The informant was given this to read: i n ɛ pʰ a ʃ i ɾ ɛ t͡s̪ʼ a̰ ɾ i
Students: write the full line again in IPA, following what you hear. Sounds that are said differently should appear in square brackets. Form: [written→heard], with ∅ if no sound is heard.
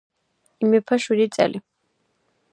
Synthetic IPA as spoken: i [n→m] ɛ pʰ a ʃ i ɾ [ɛ→i] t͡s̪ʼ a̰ [ɾ→l] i